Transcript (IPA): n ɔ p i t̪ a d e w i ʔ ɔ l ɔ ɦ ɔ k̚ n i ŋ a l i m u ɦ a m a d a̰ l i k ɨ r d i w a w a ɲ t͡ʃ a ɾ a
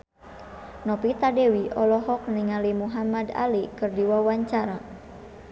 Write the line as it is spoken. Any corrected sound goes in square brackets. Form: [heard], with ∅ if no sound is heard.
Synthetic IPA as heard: n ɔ p i t̪ a d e w i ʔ ɔ l ɔ ɦ ɔ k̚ n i ŋ a l i m u ɦ a m a d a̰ l i k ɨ r d i w a w a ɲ t͡ʃ a ɾ a